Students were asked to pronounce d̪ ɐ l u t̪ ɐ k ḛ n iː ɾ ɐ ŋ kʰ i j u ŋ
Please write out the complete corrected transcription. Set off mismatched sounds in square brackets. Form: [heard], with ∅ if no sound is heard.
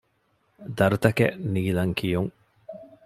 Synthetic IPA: d̪ ɐ [ɾ] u t̪ ɐ k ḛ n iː [l] ɐ ŋ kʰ i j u ŋ